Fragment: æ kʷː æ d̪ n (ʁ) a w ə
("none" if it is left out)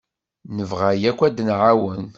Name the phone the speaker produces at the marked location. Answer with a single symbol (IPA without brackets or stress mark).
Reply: ʕ